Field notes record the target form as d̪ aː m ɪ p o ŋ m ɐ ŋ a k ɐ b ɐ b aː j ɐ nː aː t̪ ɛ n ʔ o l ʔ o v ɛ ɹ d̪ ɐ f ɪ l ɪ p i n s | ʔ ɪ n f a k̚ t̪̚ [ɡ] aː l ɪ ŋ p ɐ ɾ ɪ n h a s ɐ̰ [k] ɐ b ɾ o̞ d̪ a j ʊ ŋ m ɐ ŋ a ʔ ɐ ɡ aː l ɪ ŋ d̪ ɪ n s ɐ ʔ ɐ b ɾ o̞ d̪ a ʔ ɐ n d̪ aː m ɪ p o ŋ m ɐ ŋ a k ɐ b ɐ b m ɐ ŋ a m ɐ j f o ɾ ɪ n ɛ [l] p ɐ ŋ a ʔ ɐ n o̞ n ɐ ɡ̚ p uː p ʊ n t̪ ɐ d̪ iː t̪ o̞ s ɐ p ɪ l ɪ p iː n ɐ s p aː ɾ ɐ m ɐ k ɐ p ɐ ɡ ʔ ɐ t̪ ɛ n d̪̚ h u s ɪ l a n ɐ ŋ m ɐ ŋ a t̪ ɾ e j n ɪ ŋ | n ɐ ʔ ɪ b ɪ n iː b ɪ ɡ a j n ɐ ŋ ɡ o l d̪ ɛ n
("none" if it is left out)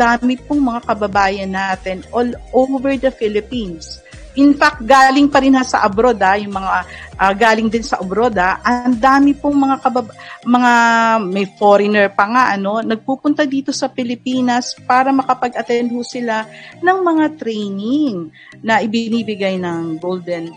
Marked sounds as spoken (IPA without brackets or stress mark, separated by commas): ɡ, ʔ, ɹ